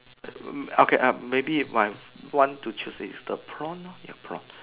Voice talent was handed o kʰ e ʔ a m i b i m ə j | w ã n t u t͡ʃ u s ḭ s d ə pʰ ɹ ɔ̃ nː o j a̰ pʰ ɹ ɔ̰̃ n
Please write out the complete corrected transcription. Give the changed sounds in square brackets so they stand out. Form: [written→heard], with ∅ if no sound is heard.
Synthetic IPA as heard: o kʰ e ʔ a m [i→e] b i m [ə→a] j | w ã n t u t͡ʃ u s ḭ s d ə pʰ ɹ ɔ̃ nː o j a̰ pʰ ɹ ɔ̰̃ n